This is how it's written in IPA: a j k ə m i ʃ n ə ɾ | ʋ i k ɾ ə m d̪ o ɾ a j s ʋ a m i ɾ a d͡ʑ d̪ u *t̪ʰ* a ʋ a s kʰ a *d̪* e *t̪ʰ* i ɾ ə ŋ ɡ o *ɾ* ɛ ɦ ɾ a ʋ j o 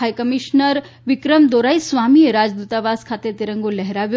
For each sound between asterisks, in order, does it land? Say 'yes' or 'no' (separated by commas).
no, no, no, no